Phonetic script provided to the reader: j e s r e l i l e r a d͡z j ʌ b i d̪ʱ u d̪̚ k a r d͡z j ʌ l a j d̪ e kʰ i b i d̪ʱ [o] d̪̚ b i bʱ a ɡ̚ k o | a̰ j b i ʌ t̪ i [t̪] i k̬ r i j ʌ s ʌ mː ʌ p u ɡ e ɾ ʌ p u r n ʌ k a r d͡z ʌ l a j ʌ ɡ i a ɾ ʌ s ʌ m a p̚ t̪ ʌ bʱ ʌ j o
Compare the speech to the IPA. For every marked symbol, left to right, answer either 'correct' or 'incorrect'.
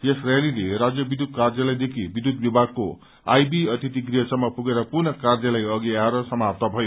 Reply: incorrect, correct

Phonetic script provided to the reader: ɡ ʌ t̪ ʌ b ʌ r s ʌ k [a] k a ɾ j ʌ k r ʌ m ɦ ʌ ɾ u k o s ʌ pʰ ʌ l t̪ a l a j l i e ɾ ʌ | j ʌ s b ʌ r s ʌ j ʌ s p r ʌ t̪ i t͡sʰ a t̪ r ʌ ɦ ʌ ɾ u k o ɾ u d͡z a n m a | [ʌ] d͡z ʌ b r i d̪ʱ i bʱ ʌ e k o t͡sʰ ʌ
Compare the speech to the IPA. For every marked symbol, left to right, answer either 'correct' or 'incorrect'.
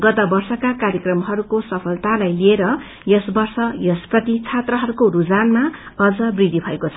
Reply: correct, correct

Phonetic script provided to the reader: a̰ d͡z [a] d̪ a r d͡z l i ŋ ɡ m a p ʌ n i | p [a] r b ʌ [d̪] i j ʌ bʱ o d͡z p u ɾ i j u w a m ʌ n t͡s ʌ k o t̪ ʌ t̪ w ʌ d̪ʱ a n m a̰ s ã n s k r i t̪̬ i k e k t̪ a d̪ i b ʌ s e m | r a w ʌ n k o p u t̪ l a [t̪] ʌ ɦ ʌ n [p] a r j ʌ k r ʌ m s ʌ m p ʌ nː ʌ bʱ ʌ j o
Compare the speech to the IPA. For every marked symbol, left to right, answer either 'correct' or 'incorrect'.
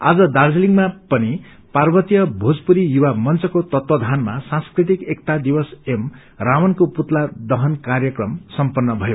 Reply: incorrect, correct, incorrect, incorrect, incorrect

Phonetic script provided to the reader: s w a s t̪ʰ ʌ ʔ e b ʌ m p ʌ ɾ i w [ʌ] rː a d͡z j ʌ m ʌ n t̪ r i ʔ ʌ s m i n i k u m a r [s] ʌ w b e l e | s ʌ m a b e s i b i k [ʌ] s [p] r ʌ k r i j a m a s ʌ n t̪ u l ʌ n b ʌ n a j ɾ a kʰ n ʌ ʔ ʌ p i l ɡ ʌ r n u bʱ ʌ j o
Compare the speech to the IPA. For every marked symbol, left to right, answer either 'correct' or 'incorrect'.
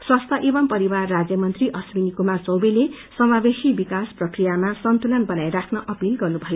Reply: incorrect, incorrect, incorrect, correct

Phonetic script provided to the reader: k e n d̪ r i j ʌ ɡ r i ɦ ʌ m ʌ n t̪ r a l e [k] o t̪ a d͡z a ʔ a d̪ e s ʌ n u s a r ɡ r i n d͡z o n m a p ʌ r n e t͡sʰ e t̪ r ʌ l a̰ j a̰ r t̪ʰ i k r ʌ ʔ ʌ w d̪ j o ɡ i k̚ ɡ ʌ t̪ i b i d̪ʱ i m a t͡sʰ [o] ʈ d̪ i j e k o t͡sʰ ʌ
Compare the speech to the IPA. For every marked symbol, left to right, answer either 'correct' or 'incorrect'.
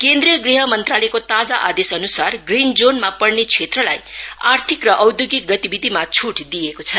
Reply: correct, incorrect

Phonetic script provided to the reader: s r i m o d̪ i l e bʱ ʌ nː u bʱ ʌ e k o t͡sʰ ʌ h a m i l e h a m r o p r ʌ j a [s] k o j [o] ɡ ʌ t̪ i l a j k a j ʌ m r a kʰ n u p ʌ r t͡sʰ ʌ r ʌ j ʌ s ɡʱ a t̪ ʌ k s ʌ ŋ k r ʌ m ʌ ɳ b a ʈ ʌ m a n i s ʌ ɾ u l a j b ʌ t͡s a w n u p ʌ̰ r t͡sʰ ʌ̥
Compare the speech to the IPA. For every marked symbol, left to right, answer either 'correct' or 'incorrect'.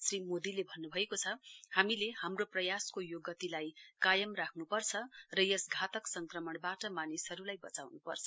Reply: correct, correct

